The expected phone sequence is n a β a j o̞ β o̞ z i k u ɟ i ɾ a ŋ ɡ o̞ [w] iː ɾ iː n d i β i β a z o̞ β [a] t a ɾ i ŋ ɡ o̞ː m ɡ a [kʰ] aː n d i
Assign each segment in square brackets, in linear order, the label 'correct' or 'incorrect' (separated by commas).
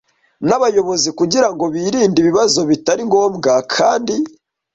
incorrect, incorrect, correct